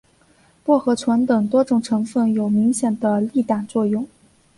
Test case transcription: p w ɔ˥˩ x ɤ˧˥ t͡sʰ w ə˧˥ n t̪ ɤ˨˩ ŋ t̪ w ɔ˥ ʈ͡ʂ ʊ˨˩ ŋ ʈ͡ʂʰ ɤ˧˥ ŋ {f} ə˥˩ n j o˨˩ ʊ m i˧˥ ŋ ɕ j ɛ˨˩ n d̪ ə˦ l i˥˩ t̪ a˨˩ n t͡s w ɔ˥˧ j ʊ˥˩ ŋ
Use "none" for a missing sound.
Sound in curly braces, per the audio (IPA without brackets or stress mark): f